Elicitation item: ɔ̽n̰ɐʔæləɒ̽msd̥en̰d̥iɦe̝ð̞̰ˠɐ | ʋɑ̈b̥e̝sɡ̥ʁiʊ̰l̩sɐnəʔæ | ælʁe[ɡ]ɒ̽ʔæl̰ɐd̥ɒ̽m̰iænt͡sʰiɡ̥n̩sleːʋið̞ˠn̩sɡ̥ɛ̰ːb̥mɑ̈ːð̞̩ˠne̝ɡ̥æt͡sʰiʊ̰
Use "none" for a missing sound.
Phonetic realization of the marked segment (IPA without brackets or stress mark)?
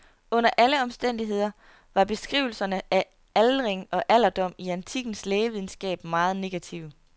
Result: ŋ